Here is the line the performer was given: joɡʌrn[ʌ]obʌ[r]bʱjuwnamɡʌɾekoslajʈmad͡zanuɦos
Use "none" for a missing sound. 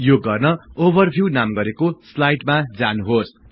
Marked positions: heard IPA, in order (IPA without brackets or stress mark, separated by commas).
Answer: ʌ, r